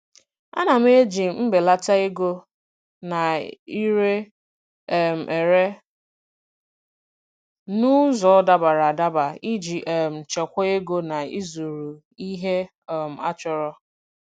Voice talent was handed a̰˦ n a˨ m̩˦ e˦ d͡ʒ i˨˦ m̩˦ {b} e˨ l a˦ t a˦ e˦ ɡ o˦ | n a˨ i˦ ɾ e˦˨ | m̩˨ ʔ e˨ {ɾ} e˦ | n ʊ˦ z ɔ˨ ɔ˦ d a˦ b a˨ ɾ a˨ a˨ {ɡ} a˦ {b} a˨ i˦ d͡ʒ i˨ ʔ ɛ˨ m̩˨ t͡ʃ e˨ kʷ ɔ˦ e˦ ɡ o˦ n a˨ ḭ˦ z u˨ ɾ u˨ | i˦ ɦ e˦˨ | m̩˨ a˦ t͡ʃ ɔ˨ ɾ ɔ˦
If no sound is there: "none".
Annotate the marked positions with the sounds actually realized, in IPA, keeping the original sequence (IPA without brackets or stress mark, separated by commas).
b, ɾ, d, b